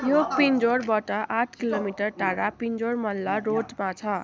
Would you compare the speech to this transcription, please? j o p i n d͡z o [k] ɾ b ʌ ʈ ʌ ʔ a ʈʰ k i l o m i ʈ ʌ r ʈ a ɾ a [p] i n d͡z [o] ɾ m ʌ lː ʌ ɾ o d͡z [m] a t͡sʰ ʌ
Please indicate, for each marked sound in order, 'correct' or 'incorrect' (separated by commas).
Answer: incorrect, correct, correct, correct